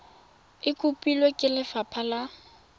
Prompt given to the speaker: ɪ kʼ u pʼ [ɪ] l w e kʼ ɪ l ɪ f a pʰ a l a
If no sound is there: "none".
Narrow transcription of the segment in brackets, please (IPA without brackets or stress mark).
i